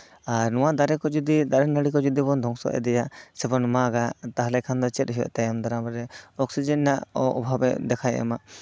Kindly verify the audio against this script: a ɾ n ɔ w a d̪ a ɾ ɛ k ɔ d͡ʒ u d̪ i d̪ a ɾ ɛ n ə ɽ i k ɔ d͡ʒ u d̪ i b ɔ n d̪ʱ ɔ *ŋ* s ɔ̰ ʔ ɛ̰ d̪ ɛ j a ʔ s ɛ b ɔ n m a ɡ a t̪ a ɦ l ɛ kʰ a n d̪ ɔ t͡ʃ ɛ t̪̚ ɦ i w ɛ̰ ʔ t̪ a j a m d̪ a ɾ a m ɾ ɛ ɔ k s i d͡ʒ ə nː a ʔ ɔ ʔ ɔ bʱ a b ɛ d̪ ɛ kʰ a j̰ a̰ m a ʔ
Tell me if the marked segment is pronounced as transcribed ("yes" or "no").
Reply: yes